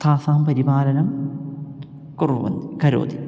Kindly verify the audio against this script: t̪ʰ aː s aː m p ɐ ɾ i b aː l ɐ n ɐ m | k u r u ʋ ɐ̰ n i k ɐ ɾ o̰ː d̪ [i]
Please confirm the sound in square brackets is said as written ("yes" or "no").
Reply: yes